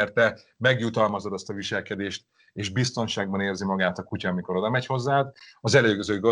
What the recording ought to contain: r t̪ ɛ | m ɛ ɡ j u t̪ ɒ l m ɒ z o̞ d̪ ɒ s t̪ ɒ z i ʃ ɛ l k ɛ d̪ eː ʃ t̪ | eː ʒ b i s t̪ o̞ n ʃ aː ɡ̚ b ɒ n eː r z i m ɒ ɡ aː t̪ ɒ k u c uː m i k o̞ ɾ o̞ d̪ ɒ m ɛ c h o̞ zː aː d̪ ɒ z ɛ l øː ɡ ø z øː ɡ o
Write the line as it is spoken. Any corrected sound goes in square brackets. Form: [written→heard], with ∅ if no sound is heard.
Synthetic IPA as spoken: r t̪ ɛ | m ɛ ɡ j u t̪ ɒ l m ɒ z o̞ d̪ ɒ s t̪ ɒ [z→v] i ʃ ɛ l k ɛ d̪ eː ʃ t̪ | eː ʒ b i s t̪ o̞ n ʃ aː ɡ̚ b ɒ n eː r z i m ɒ ɡ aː t̪ ɒ k u c [uː→ɒː] m i k o̞ ɾ o̞ d̪ ɒ m ɛ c h o̞ zː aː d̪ ɒ z ɛ l øː ɡ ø z øː ɡ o